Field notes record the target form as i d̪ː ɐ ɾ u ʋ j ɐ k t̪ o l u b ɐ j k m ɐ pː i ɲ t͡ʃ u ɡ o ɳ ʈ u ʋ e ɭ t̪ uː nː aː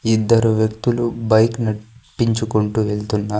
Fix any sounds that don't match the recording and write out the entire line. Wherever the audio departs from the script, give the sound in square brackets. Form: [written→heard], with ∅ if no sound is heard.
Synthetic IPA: i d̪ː ɐ ɾ u ʋ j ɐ k t̪ [o→u] l u b ɐ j k [m→n] ɐ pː i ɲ t͡ʃ u [ɡ→k] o ɳ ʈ u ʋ e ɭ t̪ [uː→u] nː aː